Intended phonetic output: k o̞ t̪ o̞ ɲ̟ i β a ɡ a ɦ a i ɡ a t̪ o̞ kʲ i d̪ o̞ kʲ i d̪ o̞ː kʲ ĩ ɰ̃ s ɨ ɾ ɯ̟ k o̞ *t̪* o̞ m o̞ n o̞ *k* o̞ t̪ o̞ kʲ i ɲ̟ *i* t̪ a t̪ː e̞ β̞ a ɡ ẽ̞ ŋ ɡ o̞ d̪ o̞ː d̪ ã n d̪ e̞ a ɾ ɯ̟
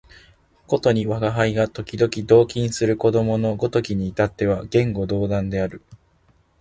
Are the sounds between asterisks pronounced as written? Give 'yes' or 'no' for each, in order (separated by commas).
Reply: no, no, no